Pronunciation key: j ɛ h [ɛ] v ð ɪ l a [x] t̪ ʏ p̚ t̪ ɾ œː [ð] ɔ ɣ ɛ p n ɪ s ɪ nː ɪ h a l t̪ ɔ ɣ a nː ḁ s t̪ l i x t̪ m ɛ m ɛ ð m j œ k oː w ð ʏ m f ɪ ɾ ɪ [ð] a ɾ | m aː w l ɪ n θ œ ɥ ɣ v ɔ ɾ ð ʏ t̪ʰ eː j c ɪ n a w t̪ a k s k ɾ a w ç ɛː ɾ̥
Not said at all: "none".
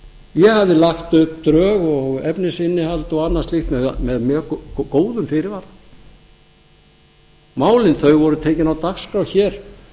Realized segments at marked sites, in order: a, x, ɣ, v

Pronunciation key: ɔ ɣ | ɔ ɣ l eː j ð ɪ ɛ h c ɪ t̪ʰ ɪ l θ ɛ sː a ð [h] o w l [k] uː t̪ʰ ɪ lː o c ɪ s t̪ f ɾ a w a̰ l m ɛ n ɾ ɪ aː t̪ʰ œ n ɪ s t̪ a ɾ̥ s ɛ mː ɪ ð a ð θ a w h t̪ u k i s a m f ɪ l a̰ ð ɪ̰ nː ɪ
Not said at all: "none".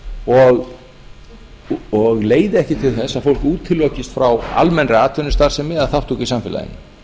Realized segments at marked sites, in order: f, k

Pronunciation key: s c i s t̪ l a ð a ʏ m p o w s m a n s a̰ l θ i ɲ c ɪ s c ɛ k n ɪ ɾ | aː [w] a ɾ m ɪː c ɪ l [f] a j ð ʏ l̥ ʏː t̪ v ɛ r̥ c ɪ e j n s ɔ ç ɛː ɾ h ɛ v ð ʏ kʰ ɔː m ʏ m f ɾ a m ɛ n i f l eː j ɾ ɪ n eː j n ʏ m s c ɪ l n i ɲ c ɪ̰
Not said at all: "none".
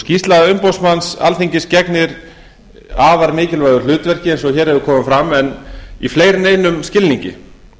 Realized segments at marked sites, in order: v, v

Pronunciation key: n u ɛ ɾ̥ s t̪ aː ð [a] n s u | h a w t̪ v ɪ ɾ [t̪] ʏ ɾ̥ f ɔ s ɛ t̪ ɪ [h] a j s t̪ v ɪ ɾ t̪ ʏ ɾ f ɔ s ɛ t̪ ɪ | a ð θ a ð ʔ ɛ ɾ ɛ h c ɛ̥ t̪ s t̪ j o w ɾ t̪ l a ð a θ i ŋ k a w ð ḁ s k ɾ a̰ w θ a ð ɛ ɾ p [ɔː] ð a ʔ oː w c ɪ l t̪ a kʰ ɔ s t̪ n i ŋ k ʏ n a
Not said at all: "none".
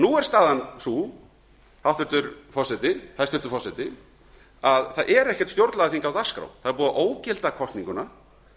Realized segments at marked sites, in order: a, t̪, h, uː

